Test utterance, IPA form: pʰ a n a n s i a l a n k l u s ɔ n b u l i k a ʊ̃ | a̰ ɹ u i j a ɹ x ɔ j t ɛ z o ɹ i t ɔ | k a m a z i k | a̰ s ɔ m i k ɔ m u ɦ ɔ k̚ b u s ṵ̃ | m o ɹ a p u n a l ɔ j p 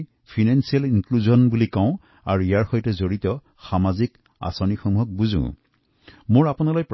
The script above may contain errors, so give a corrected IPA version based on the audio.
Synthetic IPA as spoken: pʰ i n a n s i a l i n k l u z ɔ n b u l i k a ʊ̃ | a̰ ɹ u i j a ɹ x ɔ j t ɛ z o ɹ i t ɔ | x a m a z i k | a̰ s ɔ n i x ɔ m u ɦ ɔ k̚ b u z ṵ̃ | m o ɹ a p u n a l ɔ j p